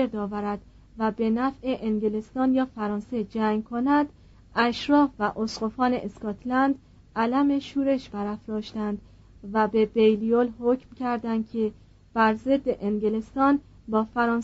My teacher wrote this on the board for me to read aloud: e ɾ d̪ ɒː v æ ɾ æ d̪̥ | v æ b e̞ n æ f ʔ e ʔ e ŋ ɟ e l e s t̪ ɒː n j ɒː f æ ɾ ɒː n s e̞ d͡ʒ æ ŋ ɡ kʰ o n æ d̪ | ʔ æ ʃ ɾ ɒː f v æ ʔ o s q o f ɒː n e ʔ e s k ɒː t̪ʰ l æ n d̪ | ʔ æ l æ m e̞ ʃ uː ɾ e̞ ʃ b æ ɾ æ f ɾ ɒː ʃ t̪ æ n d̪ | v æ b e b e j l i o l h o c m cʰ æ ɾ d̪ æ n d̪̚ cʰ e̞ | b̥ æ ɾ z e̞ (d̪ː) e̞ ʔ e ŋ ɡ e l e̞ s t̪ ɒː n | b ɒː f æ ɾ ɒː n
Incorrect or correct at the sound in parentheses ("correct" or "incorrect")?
correct